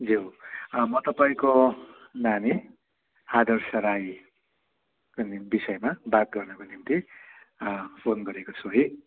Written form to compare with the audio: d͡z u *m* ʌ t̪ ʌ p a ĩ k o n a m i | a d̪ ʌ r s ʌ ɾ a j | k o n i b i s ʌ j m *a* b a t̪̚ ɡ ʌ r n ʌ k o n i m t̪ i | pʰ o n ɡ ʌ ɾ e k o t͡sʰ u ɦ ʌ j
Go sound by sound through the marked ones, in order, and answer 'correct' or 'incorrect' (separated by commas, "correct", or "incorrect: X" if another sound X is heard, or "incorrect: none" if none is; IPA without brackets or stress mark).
correct, correct